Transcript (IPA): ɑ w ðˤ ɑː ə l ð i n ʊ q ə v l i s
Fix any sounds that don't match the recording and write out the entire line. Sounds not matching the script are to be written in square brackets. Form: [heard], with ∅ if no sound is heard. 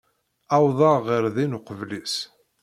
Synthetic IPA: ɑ w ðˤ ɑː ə [ɾ] ð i n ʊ q ə v l i s